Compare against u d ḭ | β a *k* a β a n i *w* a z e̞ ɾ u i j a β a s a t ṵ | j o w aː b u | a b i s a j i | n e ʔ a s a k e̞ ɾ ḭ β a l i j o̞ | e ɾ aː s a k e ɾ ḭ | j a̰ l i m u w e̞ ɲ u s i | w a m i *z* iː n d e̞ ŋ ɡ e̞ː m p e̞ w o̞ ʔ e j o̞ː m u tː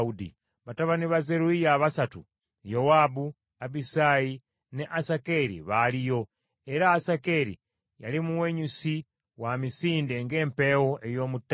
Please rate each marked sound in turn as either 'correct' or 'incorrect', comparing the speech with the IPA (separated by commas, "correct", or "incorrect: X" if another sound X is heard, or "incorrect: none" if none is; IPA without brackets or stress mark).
incorrect: t, incorrect: β, incorrect: s